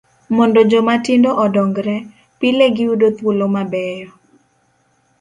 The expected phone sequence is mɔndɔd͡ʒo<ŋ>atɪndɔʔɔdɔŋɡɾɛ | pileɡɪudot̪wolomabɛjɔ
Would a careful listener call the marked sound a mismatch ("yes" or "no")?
yes